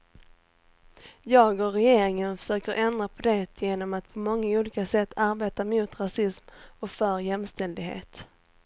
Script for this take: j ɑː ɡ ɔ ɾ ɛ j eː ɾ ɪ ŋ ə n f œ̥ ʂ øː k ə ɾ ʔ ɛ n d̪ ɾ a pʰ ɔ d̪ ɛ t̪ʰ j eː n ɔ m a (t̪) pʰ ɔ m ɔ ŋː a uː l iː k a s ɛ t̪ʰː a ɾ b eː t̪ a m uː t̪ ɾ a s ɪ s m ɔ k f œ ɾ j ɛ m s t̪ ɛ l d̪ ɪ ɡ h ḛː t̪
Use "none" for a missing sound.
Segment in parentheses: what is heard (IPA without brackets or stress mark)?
t̪